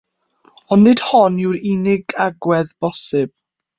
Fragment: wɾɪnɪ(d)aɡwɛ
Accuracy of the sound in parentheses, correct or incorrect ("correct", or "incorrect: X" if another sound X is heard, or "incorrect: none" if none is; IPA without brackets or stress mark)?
incorrect: ɡ